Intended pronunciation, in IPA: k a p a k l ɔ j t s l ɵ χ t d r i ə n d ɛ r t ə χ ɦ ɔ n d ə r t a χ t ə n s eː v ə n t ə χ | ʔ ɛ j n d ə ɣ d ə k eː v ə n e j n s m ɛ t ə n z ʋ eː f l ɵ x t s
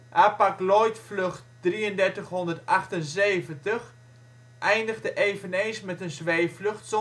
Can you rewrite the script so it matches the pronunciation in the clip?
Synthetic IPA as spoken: ʔ a p a k l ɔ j t f l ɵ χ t d r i ə n d ɛ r t ə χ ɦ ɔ n d ə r t a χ t ə n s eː v ə n t ə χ | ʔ ɛ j n d ə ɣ d ə ʔ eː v ə n e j n s m ɛ t ə n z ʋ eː f l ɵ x t s